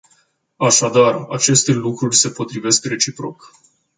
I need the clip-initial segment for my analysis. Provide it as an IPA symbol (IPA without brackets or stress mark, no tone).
a